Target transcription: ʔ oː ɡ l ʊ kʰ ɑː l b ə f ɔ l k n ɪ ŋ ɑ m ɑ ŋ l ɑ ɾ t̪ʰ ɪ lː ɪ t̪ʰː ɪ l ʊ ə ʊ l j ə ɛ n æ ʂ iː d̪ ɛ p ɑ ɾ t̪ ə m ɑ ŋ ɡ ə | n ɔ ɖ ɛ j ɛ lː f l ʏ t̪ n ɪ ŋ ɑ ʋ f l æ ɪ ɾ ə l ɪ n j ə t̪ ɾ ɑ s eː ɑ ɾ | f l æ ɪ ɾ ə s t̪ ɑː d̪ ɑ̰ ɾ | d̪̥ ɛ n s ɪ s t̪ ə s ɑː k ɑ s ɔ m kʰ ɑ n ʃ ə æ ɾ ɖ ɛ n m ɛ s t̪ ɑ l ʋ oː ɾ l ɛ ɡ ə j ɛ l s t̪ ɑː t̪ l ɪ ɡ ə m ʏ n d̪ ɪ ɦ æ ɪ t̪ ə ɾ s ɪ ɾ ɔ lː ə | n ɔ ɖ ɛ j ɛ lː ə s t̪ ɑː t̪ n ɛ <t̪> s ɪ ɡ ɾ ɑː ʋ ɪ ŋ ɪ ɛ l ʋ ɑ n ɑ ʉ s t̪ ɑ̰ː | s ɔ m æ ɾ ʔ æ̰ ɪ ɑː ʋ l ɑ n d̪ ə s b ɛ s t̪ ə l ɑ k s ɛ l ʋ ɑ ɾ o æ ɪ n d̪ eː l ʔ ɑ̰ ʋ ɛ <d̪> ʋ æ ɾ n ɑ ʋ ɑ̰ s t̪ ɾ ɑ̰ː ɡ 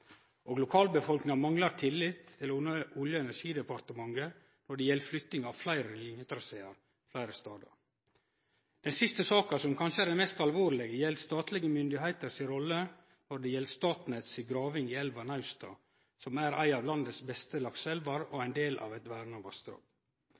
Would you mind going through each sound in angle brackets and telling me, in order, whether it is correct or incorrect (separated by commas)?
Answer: correct, incorrect